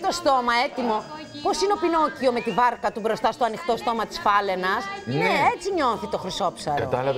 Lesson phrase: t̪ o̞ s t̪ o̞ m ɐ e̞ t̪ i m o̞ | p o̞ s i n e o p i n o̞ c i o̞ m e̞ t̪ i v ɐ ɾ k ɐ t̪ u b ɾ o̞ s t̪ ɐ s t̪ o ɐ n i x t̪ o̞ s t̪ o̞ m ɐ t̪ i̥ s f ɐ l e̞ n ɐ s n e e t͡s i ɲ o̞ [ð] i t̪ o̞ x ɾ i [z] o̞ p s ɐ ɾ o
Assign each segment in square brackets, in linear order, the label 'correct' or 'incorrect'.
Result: incorrect: θ, incorrect: s

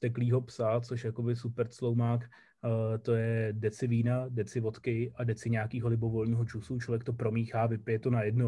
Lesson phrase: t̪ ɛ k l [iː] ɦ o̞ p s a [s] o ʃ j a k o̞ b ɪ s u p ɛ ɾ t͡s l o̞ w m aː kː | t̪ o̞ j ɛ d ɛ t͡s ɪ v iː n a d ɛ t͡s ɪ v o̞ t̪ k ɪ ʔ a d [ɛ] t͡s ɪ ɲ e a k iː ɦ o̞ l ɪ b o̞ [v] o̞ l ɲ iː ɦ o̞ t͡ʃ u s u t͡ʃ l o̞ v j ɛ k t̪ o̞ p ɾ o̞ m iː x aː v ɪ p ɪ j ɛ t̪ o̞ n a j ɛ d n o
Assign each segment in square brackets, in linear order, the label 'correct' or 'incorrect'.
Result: correct, incorrect: t͡s, correct, correct

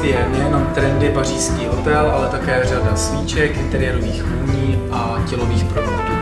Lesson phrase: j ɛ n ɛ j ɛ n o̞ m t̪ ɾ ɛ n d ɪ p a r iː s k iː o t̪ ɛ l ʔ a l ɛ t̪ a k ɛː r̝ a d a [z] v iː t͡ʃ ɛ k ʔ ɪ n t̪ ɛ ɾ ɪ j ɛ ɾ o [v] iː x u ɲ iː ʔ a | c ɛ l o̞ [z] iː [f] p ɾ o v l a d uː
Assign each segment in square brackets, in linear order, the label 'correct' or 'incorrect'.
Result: incorrect: s, correct, incorrect: v, incorrect: x

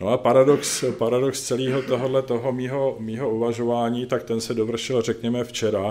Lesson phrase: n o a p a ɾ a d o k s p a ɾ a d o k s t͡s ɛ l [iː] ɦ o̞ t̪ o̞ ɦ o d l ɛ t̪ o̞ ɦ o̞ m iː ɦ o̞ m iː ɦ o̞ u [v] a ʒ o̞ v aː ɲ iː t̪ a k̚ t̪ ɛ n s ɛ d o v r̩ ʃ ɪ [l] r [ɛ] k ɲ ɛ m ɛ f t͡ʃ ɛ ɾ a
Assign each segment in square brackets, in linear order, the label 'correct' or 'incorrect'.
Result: correct, correct, correct, correct

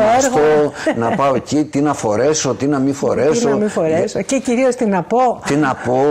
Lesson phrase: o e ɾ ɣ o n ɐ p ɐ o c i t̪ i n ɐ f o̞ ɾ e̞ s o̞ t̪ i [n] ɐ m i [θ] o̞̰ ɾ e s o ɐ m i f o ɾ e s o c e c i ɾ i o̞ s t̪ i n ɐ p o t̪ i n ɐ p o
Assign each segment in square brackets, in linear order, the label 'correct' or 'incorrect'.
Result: correct, incorrect: f

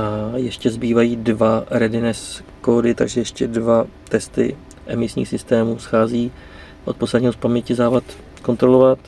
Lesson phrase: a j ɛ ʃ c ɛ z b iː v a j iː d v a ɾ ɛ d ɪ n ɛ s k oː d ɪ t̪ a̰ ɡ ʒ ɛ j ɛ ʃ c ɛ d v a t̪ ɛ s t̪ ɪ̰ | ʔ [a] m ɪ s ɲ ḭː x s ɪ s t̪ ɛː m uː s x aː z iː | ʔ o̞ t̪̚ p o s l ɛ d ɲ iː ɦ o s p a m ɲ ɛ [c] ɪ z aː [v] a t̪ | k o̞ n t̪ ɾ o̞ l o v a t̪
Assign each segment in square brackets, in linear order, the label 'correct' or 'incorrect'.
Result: incorrect: ɛ, correct, correct

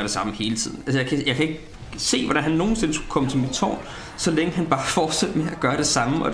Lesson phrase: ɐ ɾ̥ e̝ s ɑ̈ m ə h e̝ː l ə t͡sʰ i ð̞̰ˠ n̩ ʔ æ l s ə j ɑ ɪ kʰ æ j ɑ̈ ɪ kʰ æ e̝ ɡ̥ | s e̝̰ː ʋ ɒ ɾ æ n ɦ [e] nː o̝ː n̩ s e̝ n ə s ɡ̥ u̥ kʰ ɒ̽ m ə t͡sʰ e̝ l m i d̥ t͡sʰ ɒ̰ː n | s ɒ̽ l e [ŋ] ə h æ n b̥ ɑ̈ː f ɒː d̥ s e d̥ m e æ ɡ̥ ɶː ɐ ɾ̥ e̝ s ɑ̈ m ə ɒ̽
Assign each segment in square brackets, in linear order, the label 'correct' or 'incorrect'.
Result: incorrect: æ, correct

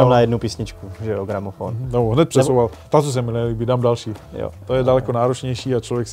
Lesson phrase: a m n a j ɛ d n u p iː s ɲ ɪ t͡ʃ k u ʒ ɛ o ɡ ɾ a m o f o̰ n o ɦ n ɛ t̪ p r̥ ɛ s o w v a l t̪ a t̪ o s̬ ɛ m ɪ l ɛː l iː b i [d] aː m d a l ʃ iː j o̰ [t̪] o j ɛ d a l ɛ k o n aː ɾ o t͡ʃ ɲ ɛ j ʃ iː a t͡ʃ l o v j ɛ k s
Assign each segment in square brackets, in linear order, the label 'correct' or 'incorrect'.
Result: correct, correct

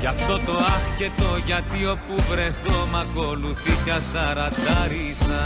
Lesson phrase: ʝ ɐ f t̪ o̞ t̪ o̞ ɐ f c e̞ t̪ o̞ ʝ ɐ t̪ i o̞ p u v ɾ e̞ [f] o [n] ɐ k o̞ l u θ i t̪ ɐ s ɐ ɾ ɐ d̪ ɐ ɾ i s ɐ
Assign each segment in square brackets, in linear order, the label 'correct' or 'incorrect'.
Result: incorrect: θ, incorrect: m

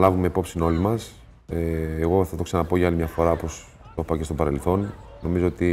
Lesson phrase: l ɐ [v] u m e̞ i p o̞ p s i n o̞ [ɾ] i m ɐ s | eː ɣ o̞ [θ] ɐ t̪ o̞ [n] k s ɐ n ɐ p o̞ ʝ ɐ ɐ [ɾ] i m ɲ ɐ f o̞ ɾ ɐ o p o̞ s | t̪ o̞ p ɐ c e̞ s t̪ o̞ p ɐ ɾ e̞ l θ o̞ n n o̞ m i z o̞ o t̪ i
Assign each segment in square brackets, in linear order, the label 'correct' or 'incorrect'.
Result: correct, incorrect: l, correct, incorrect: none, incorrect: l

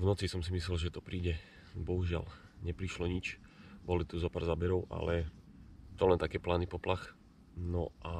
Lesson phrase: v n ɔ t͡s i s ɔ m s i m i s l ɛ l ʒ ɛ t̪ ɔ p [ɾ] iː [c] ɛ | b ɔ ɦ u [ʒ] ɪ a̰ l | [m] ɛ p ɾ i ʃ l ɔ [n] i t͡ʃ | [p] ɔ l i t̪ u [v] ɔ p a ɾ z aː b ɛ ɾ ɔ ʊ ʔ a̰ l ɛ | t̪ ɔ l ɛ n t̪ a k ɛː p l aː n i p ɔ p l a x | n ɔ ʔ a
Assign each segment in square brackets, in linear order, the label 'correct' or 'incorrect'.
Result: correct, incorrect: ɟ, correct, incorrect: ɲ, incorrect: ɲ, incorrect: b, incorrect: z

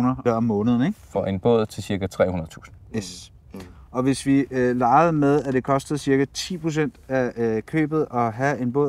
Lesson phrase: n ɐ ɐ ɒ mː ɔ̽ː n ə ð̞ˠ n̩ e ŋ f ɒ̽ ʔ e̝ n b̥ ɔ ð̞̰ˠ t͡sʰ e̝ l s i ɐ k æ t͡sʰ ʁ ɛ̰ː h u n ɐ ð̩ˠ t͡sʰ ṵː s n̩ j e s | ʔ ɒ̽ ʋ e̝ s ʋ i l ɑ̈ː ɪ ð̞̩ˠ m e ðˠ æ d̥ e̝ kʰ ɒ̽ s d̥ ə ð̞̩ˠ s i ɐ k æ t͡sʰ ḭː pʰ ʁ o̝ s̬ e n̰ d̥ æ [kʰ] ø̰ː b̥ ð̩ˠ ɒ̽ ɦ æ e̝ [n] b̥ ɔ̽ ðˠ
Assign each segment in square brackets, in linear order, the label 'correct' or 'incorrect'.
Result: correct, correct

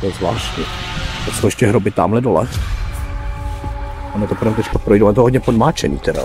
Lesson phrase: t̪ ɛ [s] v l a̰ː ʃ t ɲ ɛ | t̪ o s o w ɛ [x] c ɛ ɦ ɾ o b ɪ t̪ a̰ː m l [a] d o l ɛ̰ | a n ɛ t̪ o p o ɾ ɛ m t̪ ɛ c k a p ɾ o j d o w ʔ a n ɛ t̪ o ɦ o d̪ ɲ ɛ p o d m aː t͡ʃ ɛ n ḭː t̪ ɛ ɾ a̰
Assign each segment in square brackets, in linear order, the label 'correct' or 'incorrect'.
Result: incorrect: z, incorrect: ʃ, incorrect: ɛ

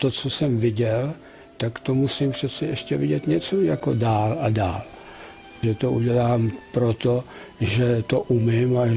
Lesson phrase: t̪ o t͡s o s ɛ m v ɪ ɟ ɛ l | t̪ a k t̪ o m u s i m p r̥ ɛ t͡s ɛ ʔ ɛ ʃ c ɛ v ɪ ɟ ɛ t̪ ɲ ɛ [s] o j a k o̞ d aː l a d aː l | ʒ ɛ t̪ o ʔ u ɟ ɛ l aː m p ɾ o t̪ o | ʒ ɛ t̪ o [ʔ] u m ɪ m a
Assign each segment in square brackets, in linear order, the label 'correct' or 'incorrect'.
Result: incorrect: t͡s, correct

